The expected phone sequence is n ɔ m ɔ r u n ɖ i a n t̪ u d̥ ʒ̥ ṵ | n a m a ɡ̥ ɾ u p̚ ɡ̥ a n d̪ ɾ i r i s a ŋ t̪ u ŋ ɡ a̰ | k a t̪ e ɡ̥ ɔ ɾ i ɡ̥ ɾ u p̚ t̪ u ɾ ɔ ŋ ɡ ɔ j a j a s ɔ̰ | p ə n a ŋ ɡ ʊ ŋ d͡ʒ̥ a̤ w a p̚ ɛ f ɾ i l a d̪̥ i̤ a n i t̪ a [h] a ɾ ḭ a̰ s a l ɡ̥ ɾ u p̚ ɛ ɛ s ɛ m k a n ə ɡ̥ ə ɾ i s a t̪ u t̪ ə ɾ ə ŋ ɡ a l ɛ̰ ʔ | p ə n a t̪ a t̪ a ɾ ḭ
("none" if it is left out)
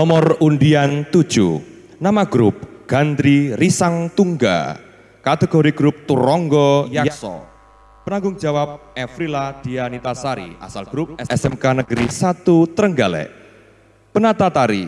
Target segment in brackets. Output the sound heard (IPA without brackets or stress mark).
s